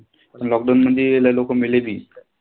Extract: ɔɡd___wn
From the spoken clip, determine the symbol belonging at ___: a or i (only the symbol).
a